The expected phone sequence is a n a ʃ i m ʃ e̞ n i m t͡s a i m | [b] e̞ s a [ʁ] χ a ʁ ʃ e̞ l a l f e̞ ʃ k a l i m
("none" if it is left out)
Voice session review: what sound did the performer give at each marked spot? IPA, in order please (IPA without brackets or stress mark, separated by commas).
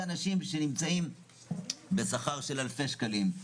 b, none